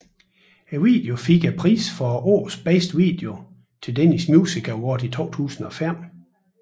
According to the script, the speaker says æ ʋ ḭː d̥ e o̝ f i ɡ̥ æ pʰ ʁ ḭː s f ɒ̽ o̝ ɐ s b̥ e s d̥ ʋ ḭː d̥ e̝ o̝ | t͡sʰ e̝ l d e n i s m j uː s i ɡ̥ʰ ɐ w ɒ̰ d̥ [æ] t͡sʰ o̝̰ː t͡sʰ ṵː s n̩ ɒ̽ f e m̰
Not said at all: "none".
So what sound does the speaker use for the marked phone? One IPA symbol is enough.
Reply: i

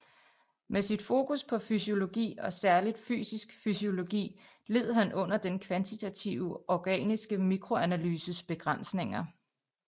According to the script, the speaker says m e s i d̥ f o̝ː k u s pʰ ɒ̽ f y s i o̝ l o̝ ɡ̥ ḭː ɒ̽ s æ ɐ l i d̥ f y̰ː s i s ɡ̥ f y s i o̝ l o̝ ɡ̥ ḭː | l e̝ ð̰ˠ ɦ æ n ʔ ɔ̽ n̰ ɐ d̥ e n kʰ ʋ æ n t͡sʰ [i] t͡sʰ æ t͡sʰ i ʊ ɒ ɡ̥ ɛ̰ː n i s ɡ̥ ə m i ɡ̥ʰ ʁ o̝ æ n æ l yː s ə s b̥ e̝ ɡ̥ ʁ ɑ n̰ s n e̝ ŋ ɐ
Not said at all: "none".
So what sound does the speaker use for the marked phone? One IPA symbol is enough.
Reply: i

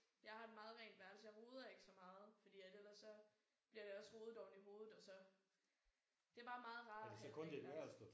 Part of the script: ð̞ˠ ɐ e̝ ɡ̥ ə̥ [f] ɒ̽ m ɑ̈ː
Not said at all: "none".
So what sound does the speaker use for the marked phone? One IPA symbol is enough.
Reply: s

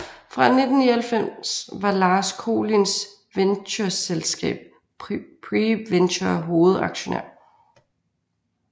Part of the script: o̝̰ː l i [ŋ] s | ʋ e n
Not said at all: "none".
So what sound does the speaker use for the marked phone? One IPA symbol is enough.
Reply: n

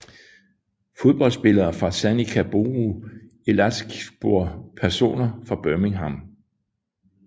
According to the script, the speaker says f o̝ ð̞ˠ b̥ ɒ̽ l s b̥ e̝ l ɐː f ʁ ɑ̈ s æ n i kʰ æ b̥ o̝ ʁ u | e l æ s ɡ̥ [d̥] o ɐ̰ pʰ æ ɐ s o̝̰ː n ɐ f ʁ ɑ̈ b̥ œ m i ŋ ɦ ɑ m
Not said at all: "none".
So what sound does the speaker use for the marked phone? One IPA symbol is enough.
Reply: b̥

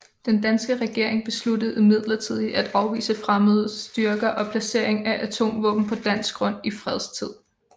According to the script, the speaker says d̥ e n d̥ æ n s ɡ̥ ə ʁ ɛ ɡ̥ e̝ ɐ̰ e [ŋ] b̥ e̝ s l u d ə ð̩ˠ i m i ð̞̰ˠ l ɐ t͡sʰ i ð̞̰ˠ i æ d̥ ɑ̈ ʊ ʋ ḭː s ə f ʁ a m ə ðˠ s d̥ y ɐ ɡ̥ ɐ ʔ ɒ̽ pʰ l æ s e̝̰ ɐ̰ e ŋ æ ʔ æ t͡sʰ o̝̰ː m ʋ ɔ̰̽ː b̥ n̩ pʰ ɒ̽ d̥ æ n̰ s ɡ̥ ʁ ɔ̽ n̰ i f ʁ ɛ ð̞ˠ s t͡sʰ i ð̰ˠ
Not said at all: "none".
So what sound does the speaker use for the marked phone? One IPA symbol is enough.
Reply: ŋ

